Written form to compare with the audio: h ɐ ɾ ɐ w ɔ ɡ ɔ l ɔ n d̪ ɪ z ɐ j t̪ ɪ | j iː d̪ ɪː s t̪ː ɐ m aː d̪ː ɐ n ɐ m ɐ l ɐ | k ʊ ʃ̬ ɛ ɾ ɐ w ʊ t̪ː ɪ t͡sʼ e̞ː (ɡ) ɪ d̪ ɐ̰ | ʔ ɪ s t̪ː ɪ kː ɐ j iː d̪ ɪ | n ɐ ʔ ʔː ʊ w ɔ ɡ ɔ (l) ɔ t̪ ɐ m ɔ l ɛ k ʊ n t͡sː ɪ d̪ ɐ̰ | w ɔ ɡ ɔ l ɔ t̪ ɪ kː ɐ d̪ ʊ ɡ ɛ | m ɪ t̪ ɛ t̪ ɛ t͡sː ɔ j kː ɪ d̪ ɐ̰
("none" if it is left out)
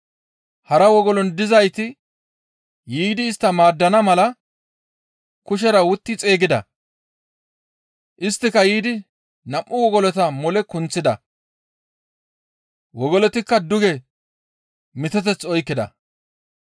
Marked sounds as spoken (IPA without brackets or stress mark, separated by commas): ɡ, l